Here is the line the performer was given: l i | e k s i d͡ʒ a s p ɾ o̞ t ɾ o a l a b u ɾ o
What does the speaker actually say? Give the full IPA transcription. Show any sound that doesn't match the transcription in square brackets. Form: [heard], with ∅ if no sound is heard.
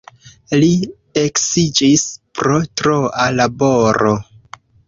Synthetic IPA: l i | e k s i d͡ʒ [i] s p ɾ o̞ t ɾ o a l a b [o] ɾ o